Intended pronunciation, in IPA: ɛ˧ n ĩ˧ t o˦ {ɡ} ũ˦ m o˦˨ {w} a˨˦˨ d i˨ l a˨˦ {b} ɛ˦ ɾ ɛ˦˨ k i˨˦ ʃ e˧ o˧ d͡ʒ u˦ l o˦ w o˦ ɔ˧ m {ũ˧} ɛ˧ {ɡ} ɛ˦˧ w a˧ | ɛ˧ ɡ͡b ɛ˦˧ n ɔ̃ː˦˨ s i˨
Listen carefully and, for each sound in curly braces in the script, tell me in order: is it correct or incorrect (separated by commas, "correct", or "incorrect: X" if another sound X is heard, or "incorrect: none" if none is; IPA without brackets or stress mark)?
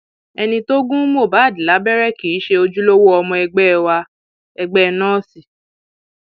correct, incorrect: b, correct, incorrect: ɔ̃˧, incorrect: ɡ͡b